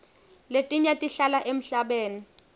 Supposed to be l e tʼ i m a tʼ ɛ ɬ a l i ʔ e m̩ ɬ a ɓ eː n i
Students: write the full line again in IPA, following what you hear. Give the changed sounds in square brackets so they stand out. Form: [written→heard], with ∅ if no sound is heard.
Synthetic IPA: l e tʼ i [m→ɲ] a tʼ [ɛ→i] ɬ a l [i→a] ʔ e m̩ ɬ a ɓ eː n i